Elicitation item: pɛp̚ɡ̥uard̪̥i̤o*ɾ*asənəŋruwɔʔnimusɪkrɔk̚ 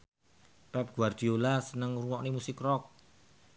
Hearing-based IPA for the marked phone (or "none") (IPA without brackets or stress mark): l